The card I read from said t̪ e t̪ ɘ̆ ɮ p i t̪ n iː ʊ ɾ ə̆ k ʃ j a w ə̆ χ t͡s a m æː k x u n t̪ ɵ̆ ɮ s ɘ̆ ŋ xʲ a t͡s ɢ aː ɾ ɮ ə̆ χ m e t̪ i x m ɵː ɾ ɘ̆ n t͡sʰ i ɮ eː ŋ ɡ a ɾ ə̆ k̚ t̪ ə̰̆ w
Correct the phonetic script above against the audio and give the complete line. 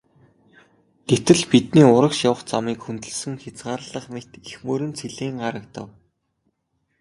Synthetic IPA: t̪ e t̪ ɘ̆ ɮ p i t̪ n iː ʊ ɾ ə̆ k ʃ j a w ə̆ χ t͡s a m iː k x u n t̪ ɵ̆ ɮ s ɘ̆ ŋ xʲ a t͡s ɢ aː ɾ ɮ ə̆ χ m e t̪ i x m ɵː ɾ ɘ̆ n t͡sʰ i ɮ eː ŋ ɢ a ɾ ə̆ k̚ t̪ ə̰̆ w